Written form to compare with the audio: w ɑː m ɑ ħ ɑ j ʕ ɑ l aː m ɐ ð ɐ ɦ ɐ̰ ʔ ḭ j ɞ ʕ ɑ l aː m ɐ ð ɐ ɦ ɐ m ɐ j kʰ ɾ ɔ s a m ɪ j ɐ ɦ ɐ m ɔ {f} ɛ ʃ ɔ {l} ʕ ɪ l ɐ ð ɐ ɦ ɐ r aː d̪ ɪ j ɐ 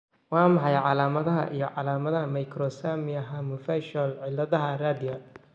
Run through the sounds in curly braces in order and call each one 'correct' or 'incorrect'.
correct, correct

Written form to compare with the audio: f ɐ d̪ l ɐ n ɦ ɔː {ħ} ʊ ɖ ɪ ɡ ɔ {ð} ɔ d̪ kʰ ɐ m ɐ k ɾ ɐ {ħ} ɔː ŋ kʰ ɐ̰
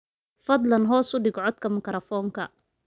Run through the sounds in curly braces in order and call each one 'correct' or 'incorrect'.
incorrect: s, incorrect: ʕ, incorrect: f

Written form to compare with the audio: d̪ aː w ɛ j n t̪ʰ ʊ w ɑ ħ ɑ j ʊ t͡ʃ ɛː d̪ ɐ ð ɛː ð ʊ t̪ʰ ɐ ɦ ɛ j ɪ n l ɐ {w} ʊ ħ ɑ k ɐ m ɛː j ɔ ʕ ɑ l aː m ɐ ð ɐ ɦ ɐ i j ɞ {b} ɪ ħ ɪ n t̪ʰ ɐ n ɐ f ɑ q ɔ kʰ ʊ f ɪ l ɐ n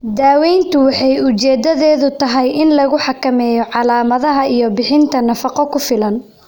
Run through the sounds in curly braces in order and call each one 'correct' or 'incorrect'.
incorrect: ɣ, correct

